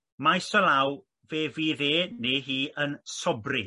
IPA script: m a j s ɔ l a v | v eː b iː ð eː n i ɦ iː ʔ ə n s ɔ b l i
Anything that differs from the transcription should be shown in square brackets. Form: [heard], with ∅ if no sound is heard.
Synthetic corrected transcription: m a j s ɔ l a [w] | v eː [v] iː ð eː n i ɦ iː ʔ ə n s ɔ b [r] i